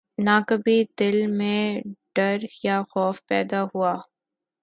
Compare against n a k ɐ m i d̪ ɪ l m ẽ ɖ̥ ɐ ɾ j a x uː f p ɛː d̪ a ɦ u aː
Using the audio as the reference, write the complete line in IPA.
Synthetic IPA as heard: n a k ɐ b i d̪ ɪ l m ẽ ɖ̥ ɐ ɾ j a x ɔː f p ɛː d̪ a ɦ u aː

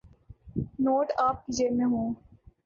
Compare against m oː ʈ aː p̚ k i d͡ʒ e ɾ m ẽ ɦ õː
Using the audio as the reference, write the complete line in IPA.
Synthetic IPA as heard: n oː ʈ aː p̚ k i d͡ʒ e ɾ m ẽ ɦ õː

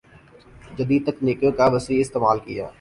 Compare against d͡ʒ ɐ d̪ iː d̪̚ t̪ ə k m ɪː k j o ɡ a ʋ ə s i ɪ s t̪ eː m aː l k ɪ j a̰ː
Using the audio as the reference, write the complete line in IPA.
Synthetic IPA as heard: d͡ʒ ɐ d̪ iː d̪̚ t̪ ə k n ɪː k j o k a ʋ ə s i ɪ s t̪ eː m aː l k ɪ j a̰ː

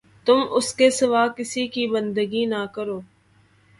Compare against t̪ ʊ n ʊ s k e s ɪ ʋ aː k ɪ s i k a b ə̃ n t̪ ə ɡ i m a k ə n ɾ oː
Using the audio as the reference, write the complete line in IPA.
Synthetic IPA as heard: t̪ ʊ m ʊ s k e s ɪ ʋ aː k ɪ s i k i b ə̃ n d̪ ə ɡ i n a k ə ɾ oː

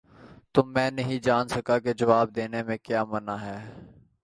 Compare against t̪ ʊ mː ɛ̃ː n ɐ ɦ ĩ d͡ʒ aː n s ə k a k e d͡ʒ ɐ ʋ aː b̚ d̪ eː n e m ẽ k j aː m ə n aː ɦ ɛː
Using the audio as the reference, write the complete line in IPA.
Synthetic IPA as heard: t̪ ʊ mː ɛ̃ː n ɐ ɦ ĩ d͡ʒ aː n s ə k a k e d͡ʒ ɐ ʋ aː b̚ d̪ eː n e m ẽ k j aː m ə n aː ɦ ɛː

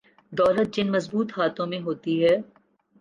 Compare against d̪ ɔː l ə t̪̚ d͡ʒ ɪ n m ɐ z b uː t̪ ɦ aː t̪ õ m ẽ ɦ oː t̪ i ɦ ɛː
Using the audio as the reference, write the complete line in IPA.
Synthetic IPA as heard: d̪ ɔː l ə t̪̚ d͡ʒ ɪ n m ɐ z b uː t̪ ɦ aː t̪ õ m ẽ ɦ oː t̪ i ɦ ɛː

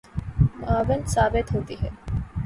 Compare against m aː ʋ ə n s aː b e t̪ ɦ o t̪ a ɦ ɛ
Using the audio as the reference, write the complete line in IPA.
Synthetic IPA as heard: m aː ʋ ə n s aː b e t̪ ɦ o t̪ i ɦ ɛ

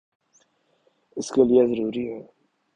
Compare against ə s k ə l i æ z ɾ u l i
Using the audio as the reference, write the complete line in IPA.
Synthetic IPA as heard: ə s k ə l j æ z ɾ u ɾ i

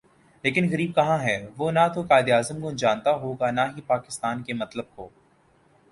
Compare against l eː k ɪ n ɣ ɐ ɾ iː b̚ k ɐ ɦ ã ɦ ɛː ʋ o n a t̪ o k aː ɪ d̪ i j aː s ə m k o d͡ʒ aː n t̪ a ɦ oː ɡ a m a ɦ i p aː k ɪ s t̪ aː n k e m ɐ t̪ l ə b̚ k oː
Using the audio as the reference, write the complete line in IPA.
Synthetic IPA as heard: l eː k ɪ n ɣ ɐ ɾ iː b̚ k ɐ ɦ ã ɦ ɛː ʋ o n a t̪ o k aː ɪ d̪ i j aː z ə m k o d͡ʒ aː n t̪ a ɦ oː ɡ a n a ɦ i p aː k ɪ s t̪ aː n k e m ɐ t̪ l ə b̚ k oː

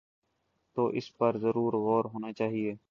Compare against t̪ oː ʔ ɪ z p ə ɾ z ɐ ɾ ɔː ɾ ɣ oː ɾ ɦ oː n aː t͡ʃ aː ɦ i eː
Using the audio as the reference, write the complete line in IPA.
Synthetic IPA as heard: t̪ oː ʔ ɪ s p ə ɾ z ə ɾ uː ɾ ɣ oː ɾ ɦ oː n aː t͡ʃ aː ɦ i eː

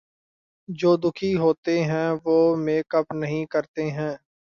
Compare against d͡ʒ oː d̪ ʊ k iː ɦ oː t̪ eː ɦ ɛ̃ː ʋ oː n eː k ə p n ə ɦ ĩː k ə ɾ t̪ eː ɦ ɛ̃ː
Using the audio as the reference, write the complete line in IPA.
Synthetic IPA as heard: d͡ʒ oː d̪ ʊ kʰ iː ɦ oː t̪ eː ɦ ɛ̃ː ʋ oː m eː k ə p n ə ɦ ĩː k ə ɾ t̪ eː ɦ ɛ̃ː

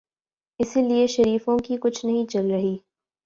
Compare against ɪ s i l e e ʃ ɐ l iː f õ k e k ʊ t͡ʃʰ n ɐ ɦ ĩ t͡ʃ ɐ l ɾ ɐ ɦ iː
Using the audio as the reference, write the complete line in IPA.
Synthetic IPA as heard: ɪ s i l i e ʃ ɐ ɾ iː f õ k i k ʊ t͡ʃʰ n ɐ ɦ ĩ t͡ʃ ɐ l ɾ ɐ ɦ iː

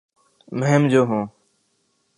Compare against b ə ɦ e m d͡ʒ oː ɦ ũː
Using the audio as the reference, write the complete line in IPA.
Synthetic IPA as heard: m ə ɦ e m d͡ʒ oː ɦ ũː

